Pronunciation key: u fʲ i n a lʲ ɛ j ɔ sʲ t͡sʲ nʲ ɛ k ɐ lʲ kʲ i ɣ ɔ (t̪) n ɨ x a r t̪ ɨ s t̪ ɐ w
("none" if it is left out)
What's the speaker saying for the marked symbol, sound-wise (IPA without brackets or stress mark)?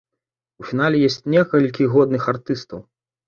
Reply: d̪